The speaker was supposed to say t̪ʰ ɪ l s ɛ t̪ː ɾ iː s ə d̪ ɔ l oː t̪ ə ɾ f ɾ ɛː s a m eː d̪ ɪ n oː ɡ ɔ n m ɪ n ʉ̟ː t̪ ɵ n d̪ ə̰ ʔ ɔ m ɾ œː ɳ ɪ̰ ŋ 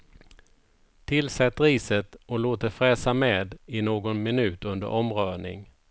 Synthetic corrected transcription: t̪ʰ ɪ l s ɛ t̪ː ɾ iː s ə t̪ ɔ l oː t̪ ə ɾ f ɾ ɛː s a m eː d̪ ɪ n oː ɡ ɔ n m ɪ n ʉ̟ː t̪ ɵ n d̪ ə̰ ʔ ɔ m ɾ œː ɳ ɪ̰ ŋ